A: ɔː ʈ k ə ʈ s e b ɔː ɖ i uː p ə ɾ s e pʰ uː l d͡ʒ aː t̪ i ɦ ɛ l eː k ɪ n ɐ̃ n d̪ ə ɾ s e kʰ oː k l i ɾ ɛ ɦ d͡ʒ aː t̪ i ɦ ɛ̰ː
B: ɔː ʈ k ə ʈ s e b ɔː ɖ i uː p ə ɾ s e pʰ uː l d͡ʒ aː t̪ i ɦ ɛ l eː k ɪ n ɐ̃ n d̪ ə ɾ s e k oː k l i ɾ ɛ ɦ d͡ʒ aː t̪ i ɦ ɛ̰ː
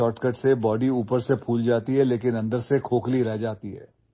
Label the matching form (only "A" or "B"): A